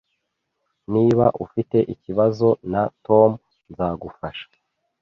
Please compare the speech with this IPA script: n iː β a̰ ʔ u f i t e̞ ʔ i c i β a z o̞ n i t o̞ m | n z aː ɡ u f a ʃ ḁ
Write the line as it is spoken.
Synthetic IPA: n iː β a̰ ʔ u f i t e̞ ʔ i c i β a z o̞ n a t o̞ m | n z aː ɡ u f a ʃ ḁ